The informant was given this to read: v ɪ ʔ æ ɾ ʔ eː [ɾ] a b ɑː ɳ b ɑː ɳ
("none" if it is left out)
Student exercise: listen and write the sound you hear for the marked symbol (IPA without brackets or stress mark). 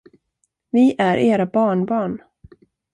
ɾ